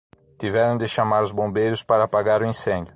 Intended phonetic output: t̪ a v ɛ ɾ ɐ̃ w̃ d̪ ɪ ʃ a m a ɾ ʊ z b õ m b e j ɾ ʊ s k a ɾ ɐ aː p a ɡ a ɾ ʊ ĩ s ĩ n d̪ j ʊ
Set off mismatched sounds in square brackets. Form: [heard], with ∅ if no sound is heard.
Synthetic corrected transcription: t̪ [i] v ɛ ɾ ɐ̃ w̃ d̪ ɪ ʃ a m a ɾ ʊ z b õ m b e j ɾ ʊ s [p] a ɾ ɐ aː p a ɡ a ɾ ʊ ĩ s [ẽ] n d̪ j ʊ

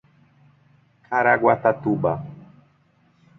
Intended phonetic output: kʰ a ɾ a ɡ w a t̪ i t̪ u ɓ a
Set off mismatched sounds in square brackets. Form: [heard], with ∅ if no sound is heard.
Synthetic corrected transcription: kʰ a ɾ a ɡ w a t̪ [a] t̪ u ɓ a

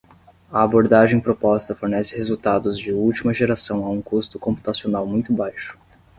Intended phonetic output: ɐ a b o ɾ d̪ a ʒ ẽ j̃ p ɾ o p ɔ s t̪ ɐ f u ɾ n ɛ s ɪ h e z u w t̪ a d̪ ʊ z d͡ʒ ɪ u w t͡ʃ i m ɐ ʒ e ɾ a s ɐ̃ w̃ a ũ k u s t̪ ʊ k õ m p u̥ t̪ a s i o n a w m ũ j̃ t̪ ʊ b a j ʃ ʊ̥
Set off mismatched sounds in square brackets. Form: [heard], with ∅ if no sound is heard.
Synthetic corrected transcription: ɐ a b o ɾ d̪ a ʒ ẽ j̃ p ɾ o p ɔ s t̪ ɐ f [o] ɾ n ɛ s ɪ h e z u w t̪ a d̪ ʊ z d͡ʒ ɪ u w t͡ʃ i m ɐ ʒ e ɾ a s ɐ̃ w̃ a ũ k u s t̪ ʊ k õ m p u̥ t̪ a s i o n a w m ũ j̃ t̪ ʊ b a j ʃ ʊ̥

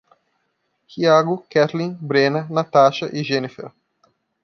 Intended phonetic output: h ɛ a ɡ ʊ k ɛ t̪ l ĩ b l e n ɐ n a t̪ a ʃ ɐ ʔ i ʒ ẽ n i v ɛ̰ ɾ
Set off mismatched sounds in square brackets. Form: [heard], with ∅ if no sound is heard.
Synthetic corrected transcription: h [i] a ɡ ʊ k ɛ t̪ l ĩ b [ɾ] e n ɐ n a t̪ a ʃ ɐ ʔ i ʒ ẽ n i [f] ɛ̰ ɾ

